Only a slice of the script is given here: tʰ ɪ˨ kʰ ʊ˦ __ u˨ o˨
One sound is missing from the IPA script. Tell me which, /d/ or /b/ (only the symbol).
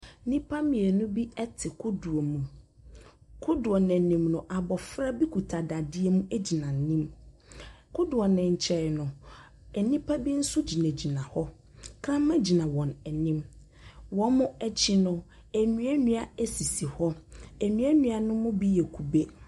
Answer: d